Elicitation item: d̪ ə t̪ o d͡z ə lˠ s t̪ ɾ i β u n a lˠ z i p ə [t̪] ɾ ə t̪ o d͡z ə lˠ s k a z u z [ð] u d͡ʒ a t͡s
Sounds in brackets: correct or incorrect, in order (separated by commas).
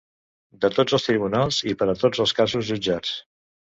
incorrect, incorrect